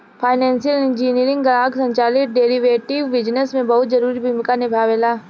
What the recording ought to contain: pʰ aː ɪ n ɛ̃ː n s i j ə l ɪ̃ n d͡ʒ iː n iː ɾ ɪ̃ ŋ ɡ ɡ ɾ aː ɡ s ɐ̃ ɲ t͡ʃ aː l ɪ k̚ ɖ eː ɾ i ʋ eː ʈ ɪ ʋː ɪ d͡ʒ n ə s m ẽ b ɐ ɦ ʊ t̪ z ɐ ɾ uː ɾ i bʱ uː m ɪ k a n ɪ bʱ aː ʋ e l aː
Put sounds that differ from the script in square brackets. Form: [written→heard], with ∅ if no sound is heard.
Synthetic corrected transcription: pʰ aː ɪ n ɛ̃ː n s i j ə l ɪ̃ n d͡ʒ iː n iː ɾ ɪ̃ ŋ ɡ ɡ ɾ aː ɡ s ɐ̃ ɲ t͡ʃ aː l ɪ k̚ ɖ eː ɾ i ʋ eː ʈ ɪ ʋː ɪ d͡ʒ n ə s m ẽ b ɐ ɦ ʊ t̪ z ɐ ɾ uː ɾ i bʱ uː m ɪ k a n ɪ bʱ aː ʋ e l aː

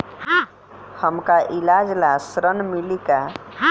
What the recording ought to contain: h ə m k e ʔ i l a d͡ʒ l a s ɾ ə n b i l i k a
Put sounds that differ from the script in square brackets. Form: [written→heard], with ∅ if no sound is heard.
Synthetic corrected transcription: h ə m k [e→a] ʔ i l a d͡ʒ l a s ɾ ə n [b→m] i l i k a

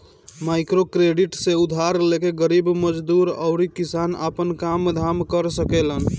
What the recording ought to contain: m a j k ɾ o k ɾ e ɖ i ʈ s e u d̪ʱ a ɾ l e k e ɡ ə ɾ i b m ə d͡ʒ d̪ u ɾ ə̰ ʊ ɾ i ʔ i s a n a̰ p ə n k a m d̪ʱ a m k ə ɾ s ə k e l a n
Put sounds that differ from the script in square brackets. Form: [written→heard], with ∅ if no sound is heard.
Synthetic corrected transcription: m a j k ɾ o k ɾ e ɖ i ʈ s e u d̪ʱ a ɾ l e k e ɡ ə ɾ i b m ə d͡ʒ d̪ u ɾ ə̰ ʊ ɾ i [ʔ→k] i s a n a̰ p ə n k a m d̪ʱ a m k ə ɾ s ə k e l [a→ə] n

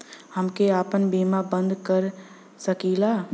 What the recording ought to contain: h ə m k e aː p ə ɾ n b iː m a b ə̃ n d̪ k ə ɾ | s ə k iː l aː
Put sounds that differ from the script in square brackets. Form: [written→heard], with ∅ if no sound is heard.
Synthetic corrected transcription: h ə m k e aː p ə [ɾ→∅] n b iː m a b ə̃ n d̪ k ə ɾ | s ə k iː l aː

